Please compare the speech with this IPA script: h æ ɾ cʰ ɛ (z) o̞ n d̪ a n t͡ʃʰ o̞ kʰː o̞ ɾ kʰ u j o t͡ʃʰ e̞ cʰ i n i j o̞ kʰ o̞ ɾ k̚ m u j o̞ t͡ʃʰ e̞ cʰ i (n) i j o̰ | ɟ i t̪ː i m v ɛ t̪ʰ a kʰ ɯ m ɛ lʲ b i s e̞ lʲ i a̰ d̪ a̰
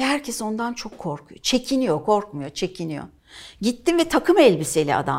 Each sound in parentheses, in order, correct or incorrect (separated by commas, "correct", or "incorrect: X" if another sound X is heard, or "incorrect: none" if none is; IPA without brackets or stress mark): incorrect: s, correct